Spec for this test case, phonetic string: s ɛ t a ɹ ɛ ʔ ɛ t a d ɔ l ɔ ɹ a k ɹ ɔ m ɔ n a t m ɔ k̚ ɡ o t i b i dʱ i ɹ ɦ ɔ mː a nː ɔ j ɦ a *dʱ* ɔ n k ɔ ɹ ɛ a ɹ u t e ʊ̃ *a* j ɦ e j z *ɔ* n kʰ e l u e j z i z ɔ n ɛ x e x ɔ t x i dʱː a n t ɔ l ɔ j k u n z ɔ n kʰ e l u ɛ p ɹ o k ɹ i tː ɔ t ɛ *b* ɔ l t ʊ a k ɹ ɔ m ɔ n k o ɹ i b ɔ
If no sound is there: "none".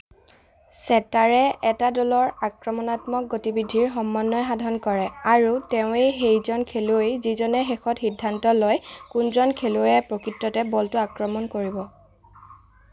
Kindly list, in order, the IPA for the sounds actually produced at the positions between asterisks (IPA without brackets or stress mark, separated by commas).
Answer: dʱ, e, ɔ, b